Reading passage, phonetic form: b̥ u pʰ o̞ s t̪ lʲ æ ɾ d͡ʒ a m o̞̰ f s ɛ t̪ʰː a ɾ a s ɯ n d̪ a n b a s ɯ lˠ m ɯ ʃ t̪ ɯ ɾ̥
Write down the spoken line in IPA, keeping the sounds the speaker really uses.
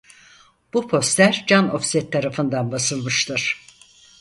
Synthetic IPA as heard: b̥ u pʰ o̞ s t̪ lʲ æ ɾ d͡ʒ a n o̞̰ f s ɛ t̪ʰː a ɾ a f ɯ n d̪ a n b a s ɯ lˠ m ɯ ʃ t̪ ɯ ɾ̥